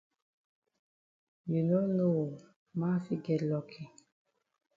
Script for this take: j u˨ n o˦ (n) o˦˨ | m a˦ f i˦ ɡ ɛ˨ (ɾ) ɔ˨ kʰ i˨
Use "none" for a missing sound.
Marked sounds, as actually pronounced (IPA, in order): n, l

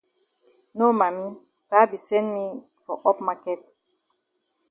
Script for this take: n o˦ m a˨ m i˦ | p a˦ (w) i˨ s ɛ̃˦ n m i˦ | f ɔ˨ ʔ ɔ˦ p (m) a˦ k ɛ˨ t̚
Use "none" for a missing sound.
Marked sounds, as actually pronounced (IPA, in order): b, m

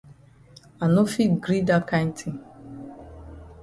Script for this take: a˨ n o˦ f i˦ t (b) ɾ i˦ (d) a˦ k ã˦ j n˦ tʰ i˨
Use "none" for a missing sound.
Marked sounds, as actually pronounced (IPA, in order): ɡ, d

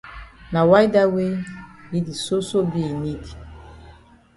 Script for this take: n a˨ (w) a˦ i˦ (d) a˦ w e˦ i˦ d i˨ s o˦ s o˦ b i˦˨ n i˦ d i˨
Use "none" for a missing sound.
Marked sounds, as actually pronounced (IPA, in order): w, d

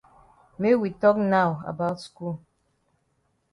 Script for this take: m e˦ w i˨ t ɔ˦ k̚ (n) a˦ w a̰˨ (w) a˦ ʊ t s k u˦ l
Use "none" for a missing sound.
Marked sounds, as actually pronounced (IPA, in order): n, b

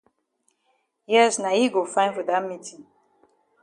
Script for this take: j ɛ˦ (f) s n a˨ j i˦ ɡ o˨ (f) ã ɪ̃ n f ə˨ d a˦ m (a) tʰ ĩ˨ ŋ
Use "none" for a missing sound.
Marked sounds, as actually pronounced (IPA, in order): none, f, i

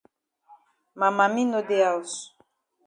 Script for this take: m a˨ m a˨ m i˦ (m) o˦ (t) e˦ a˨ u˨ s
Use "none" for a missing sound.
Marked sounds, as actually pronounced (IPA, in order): n, d

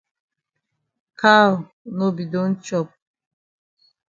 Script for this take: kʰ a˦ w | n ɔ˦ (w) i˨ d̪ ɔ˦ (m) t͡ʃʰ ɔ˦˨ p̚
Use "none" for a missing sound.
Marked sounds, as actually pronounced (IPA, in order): b, n

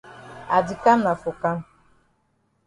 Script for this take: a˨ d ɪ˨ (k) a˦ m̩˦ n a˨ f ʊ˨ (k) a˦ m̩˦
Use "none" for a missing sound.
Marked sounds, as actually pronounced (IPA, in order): k, k

